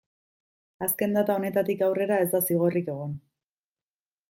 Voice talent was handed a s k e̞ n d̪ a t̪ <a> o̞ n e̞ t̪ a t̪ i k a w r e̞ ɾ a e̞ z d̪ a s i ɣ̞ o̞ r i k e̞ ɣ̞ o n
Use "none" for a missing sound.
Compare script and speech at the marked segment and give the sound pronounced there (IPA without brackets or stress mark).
a